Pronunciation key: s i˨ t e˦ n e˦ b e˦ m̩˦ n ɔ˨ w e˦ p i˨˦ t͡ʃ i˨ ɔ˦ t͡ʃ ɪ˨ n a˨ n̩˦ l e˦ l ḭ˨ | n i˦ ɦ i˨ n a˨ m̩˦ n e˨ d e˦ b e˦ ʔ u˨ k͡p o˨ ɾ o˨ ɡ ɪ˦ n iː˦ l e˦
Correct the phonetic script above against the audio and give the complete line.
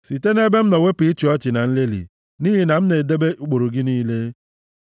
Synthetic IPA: s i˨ t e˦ n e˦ b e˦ m̩˦ n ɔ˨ w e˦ p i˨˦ t͡ʃ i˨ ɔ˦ t͡ʃ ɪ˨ n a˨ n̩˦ l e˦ l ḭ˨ | n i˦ ɦ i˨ n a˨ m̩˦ n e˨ d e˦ b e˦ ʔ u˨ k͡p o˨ ɾ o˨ ɡ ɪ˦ n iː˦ l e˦

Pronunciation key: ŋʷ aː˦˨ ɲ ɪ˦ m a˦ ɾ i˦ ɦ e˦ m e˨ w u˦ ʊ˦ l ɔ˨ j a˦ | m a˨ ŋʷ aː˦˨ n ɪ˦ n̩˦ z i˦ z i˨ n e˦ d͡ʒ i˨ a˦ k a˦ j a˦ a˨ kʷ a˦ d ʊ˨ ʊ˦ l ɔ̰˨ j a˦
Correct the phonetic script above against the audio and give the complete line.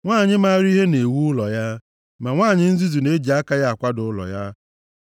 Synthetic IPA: ŋʷ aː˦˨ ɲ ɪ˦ m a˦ ɾ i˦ ɦ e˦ n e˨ w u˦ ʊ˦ l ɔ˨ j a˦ | m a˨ ŋʷ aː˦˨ ɲ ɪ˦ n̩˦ z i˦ z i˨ n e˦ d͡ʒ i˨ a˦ k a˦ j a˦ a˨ kʷ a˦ d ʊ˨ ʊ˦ l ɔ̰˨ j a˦

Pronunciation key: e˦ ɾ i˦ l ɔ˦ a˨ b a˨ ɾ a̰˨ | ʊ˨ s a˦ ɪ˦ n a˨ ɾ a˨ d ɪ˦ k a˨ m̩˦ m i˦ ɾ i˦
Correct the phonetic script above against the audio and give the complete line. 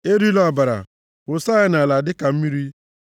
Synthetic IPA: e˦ ɾ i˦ l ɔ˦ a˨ b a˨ ɾ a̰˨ | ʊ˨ s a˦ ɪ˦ n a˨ l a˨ d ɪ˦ k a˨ m̩˦ m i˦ ɾ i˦

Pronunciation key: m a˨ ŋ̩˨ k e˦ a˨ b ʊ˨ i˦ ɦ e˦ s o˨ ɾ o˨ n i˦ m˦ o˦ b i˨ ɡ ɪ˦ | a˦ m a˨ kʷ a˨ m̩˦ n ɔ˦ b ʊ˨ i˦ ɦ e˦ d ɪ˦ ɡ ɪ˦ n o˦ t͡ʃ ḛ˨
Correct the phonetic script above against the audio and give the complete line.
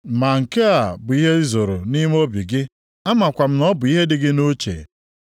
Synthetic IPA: m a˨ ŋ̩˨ k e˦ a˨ b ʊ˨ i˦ ɦ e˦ z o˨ ɾ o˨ n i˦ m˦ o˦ b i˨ ɡ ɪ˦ | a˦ m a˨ kʷ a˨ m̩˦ n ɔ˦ b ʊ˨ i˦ ɦ e˦ d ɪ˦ ɡ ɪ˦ n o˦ t͡ʃ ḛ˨

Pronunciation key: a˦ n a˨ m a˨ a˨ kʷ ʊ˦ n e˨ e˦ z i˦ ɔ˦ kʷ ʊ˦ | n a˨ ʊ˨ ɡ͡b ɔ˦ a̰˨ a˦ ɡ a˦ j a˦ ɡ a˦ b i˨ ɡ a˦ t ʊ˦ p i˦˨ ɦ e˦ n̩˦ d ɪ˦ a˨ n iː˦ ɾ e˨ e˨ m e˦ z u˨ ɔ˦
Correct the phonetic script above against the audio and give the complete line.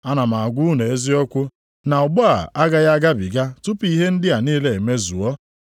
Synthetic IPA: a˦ n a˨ m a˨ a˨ ɡʷ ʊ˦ n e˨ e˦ z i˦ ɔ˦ kʷ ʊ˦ | n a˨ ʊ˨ ɡ͡b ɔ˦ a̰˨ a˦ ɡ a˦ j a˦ ɡ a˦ b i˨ ɡ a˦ t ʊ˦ p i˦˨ ɦ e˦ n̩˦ d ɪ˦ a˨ n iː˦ l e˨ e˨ m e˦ z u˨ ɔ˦

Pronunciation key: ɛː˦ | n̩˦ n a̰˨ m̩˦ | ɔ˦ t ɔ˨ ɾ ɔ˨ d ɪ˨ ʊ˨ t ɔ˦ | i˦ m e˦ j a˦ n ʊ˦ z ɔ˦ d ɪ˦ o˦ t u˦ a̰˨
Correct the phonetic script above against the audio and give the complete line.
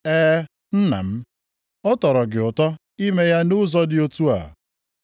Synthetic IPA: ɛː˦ | n̩˦ n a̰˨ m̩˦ | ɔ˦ t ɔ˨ ɾ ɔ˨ ɡ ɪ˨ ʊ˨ t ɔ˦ | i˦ m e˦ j a˦ n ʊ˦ z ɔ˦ d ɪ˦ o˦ t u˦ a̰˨

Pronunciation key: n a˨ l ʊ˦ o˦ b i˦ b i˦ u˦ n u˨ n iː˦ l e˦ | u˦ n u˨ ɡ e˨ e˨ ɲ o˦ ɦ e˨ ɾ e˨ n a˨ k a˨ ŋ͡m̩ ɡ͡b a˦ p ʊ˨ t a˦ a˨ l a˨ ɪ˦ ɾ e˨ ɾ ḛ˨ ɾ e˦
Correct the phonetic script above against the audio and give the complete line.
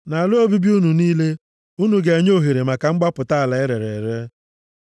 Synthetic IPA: n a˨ l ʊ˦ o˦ b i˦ b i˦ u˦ n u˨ n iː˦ l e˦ | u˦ n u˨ ɡ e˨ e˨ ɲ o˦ ɦ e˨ ɾ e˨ m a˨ k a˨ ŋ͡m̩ ɡ͡b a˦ p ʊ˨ t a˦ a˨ l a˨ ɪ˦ ɾ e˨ ɾ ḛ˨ ɾ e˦

